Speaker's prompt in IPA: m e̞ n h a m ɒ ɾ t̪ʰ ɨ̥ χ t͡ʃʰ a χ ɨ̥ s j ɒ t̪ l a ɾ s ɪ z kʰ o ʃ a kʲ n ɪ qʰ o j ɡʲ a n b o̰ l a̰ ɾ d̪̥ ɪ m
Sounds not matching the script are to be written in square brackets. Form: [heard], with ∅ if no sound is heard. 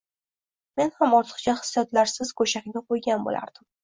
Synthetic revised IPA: m e̞ n h a m ɒ ɾ t̪ʰ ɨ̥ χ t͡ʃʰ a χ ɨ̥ s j ɒ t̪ l a ɾ s ɪ z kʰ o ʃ a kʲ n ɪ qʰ o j ɡʲ a n b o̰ l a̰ ɾ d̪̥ ɪ m